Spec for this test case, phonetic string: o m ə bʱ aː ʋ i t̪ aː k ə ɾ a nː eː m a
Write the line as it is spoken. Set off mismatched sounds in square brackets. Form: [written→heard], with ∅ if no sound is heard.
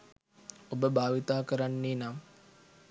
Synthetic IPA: o [m→b] ə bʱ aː ʋ i t̪ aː k ə ɾ a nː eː [m→n] a

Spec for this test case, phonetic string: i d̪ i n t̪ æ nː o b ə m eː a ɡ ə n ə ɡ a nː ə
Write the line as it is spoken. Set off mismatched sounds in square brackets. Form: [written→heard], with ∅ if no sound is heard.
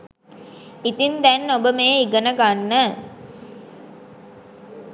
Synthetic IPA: i [d̪→t̪] i n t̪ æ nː o b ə m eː [a→i] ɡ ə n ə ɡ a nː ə

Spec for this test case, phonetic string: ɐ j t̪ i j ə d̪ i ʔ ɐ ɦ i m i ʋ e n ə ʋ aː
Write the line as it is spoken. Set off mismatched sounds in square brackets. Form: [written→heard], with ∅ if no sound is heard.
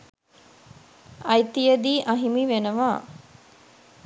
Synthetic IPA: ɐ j t̪ i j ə d̪ [i→iː] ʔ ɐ ɦ i m i ʋ e n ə ʋ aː

